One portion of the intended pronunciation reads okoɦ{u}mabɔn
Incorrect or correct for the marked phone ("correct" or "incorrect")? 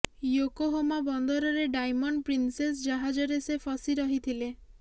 incorrect